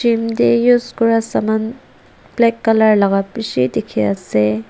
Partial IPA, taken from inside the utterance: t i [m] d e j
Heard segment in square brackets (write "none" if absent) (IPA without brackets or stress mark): m